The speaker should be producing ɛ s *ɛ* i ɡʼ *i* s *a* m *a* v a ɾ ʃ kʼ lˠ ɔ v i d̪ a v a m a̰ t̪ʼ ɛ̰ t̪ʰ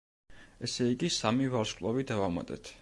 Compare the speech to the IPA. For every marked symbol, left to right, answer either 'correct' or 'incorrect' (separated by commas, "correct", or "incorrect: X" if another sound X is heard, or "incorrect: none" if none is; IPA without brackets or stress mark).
correct, correct, correct, incorrect: i